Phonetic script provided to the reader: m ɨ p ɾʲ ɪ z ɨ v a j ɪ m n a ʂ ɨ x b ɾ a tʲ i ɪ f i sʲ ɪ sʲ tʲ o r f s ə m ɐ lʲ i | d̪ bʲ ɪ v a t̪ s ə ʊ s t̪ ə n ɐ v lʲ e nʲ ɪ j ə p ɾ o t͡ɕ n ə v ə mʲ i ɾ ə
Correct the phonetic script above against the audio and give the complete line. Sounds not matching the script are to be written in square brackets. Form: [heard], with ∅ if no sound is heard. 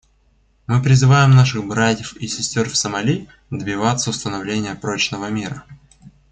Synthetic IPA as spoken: m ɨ p ɾʲ ɪ z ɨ v a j ɪ m n a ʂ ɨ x b ɾ a tʲ [j] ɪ f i sʲ ɪ sʲ tʲ o r f s ə m ɐ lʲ i | d̪ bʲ ɪ v a t̪ s ə ʊ s t̪ ə n ɐ v lʲ e nʲ ɪ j ə p ɾ o t͡ɕ n ə v ə mʲ i ɾ ə